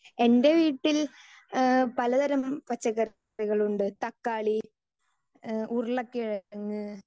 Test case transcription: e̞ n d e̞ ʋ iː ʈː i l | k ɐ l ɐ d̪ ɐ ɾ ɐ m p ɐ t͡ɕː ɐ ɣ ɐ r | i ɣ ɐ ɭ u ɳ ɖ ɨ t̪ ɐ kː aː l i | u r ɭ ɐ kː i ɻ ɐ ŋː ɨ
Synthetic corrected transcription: e̞ n d e̞ ʋ iː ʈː i l | p ɐ l ɐ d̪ ɐ ɾ ɐ m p ɐ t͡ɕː ɐ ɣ ɐ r | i ɣ ɐ ɭ u ɳ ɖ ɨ t̪ ɐ kː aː ɭ i | u r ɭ ɐ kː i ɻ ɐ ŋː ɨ

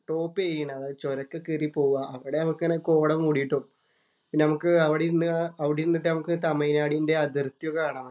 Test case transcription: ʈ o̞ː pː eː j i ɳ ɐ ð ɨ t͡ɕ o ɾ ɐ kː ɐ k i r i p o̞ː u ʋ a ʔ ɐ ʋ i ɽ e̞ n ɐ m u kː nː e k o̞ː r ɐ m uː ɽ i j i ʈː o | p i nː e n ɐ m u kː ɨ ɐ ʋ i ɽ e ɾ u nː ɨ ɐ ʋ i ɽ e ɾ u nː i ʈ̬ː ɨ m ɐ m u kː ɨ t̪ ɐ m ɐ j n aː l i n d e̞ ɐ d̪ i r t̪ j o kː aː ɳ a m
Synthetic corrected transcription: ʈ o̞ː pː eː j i ɳ ɐ ð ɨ t͡ɕ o ɾ ɐ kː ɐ k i r i p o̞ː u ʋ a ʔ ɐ ʋ i ɽ e̞ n ɐ m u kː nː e k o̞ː ɽ ɐ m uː ɽ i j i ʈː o | p i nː e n ɐ m u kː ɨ ɐ ʋ i ɽ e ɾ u nː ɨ ɐ ʋ i ɽ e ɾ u nː i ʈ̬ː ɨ n ɐ m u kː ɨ t̪ ɐ m ɐ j n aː ɽ i n d e̞ ɐ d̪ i r t̪ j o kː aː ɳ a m

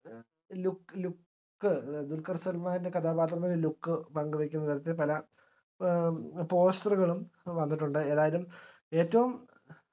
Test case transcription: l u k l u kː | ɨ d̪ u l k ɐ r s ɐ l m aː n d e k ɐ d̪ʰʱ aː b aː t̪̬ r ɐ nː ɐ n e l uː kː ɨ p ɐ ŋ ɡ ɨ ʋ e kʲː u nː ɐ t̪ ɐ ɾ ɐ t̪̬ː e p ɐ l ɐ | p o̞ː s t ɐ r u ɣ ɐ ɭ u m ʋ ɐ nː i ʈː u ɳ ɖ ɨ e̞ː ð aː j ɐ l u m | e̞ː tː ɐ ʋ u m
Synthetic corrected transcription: l u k l u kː | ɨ d̪ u l k ɐ r s ɐ l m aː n d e k ɐ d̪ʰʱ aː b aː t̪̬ r ɐ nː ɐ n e l u kː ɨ p ɐ ŋ ɡ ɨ ʋ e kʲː u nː ɐ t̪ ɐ ɾ ɐ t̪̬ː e p ɐ l ɐ | p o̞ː s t ɐ r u ɣ ɐ ɭ u m ʋ ɐ nː i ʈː u ɳ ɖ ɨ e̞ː ð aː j ɐ l u m | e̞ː tː ɐ ʋ u m

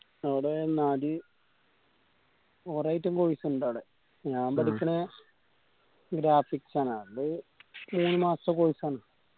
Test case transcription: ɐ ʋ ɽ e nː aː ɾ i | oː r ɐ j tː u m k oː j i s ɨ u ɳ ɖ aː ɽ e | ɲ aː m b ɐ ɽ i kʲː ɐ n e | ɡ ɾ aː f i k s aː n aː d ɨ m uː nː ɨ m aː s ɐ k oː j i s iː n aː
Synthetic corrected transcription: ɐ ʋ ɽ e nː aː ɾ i | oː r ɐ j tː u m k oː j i s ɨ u ɳ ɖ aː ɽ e | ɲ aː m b ɐ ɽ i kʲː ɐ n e | ɡ ɾ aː f i k s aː n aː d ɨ m uː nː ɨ m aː s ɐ k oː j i s aː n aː

